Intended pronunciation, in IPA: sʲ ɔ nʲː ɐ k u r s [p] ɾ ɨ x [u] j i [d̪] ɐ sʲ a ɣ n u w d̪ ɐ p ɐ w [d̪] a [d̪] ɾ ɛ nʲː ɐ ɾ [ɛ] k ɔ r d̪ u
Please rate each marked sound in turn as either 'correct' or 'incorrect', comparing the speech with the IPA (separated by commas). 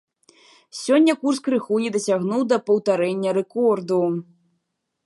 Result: incorrect, correct, correct, incorrect, incorrect, correct